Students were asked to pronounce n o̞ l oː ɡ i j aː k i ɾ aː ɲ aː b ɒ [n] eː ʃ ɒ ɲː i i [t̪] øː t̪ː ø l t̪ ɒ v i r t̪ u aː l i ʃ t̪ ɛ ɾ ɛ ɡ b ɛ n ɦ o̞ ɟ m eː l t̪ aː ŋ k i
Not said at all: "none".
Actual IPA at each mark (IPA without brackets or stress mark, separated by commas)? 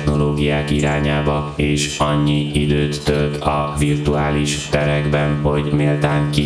none, d̪